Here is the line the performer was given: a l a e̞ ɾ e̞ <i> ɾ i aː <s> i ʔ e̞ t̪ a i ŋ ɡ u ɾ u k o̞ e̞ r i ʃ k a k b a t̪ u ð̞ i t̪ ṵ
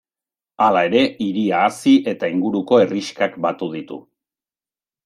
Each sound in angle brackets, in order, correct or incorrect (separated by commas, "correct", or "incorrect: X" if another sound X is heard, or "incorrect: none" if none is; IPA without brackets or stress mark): correct, correct